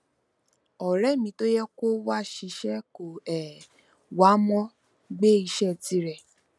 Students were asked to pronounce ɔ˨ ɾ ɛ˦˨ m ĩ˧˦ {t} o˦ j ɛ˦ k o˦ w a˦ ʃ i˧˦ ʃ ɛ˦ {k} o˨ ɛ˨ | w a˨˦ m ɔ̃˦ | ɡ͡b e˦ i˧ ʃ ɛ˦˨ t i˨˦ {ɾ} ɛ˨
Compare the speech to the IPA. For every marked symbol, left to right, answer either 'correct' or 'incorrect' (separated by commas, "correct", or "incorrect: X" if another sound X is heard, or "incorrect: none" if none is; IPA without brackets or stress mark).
correct, correct, correct